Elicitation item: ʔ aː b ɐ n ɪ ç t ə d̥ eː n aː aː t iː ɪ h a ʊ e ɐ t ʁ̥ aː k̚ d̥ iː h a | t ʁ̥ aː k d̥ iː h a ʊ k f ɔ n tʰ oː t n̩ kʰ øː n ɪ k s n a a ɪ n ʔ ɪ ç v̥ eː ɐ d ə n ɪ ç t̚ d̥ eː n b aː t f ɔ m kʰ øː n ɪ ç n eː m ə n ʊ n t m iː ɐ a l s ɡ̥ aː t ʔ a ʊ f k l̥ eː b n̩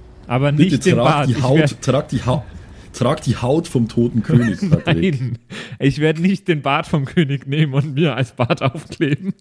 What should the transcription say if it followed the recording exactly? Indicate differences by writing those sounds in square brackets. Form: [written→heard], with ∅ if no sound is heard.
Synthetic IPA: ʔ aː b ɐ n ɪ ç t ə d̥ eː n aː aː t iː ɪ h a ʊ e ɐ t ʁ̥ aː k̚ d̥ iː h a | t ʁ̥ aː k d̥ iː h a ʊ [k→t] f ɔ [n→m] tʰ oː t n̩ kʰ øː n ɪ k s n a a ɪ n ʔ ɪ ç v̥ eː ɐ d ə n ɪ ç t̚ d̥ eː n b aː t f ɔ m kʰ øː n ɪ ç n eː m ə n ʊ n t m iː ɐ a l s [ɡ̥→b̥] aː t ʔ a ʊ f k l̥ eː b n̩